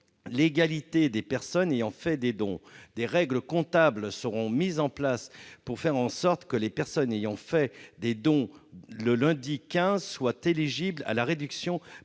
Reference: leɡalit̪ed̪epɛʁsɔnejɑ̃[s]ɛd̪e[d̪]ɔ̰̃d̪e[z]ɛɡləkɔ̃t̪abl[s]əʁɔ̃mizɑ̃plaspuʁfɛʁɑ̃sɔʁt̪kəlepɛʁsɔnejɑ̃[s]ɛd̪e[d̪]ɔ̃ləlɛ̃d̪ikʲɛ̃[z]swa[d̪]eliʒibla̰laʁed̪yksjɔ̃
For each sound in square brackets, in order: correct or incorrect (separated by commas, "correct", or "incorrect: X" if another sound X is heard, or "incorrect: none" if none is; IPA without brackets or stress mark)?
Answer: incorrect: f, correct, incorrect: ʁ, correct, incorrect: f, correct, correct, incorrect: t̪